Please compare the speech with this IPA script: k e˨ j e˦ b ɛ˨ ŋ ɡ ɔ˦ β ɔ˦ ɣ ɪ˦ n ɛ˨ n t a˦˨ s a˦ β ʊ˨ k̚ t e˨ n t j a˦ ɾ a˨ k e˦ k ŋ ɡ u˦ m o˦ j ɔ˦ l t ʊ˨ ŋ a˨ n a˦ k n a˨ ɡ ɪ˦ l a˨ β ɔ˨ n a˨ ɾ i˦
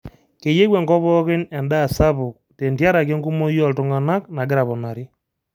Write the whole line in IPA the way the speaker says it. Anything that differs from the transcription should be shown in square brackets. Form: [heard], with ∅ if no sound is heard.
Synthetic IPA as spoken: k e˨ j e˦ [w] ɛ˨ ŋ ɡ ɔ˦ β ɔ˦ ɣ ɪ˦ n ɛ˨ n [d] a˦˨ s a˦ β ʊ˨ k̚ t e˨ n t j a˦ ɾ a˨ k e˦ [∅] ŋ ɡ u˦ m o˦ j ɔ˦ l t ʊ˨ ŋ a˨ n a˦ k n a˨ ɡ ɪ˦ [ɾ] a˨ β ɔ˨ n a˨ ɾ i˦